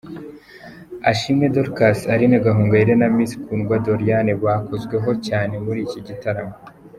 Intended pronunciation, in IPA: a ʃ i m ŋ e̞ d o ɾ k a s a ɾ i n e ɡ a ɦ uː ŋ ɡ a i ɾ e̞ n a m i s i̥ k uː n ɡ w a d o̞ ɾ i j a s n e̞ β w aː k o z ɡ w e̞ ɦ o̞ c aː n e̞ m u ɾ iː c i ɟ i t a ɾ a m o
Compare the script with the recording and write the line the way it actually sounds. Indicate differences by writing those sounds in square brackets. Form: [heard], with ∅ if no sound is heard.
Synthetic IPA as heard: a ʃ i m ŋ e̞ d o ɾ k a s a ɾ i n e ɡ a ɦ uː ŋ ɡ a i ɾ e̞ n a m i s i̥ k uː n ɡ w a d o̞ ɾ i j a [∅] n e̞ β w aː k o z ɡ w e̞ ɦ o̞ c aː n e̞ m u ɾ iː c i ɟ i t a ɾ a m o